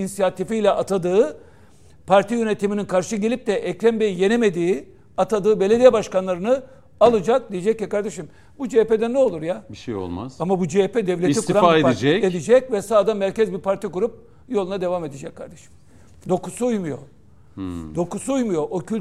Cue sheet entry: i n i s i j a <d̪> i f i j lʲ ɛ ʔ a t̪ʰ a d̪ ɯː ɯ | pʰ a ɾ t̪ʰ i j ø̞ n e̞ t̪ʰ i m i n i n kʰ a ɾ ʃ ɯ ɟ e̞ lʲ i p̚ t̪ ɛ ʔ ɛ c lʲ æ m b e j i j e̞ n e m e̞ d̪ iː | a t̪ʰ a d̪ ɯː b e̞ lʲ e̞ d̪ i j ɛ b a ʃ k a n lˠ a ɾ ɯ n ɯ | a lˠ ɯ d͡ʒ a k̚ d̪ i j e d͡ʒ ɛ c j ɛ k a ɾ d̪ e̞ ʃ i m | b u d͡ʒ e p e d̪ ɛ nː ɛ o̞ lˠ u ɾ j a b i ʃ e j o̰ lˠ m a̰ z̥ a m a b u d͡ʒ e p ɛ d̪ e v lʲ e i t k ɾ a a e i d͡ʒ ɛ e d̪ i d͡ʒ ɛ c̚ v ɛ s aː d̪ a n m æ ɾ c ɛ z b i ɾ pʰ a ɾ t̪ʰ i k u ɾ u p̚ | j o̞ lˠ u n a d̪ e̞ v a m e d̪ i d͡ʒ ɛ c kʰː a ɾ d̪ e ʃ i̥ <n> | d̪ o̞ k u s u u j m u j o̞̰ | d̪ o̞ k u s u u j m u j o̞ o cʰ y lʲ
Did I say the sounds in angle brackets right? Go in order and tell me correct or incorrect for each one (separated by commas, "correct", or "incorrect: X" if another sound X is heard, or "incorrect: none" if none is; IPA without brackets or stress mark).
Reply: incorrect: t̪, incorrect: m